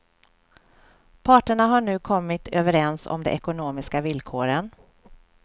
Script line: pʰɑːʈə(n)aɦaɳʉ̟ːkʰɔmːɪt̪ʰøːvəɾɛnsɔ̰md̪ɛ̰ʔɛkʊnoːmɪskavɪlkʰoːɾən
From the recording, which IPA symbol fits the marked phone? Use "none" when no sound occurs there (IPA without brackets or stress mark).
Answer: ɳ